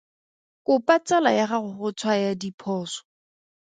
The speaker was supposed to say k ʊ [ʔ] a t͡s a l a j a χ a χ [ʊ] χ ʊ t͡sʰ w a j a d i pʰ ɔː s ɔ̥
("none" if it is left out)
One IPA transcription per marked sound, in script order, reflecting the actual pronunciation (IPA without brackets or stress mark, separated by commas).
p, ʊ